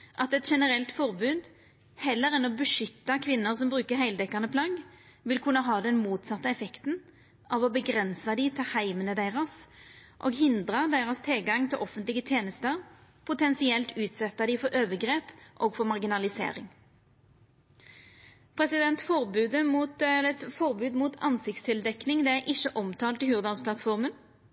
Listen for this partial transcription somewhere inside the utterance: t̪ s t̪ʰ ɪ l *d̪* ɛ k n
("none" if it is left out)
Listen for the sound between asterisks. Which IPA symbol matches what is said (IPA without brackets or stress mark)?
d̪